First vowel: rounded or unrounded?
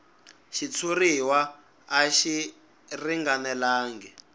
unrounded